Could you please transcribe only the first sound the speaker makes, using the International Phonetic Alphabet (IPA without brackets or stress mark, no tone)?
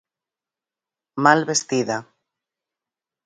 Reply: m